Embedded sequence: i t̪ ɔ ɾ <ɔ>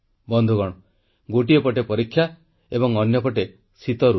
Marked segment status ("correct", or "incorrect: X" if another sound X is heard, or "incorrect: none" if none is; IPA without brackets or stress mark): incorrect: u